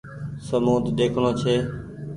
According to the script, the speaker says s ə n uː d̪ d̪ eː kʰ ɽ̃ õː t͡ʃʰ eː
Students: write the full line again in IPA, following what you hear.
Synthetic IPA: s ə m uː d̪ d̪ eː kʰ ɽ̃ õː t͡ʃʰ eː